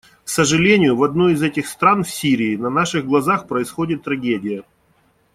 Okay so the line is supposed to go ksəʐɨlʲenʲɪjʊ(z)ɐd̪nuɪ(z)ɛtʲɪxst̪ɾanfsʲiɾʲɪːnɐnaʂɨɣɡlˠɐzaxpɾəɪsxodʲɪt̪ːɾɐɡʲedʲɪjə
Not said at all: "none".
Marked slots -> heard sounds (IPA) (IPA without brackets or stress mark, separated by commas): v, z